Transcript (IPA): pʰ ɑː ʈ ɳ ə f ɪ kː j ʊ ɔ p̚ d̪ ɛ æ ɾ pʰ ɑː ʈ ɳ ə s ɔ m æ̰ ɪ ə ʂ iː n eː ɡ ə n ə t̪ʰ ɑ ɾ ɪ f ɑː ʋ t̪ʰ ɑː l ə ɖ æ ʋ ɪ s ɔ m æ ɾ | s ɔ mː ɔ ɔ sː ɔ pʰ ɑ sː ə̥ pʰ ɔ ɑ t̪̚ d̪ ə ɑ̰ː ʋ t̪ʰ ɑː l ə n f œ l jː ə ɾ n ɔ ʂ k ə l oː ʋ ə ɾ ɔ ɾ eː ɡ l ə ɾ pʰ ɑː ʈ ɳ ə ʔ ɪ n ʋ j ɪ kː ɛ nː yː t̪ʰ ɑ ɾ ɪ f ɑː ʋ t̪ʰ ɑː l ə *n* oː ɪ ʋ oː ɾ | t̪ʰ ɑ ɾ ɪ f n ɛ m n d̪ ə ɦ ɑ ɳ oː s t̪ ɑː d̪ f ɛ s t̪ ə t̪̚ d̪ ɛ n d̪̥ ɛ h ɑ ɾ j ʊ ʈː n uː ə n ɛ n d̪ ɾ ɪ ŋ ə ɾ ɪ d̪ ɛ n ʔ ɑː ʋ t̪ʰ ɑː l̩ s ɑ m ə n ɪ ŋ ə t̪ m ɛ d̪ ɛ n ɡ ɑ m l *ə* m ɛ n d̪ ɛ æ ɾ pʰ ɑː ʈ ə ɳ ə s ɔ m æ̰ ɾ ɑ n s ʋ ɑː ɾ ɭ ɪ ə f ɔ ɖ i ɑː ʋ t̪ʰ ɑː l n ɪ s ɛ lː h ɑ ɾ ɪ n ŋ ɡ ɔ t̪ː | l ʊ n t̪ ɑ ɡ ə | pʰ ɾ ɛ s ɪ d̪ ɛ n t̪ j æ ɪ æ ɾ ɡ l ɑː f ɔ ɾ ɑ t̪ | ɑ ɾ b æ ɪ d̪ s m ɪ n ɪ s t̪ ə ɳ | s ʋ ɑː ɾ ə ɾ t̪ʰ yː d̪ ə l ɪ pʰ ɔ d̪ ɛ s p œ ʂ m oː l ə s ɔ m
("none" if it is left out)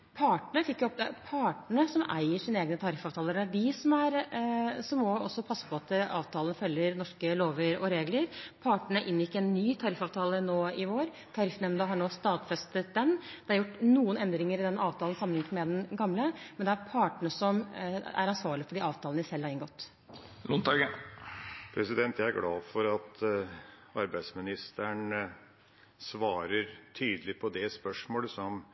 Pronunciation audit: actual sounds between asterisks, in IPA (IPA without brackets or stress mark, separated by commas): n, ə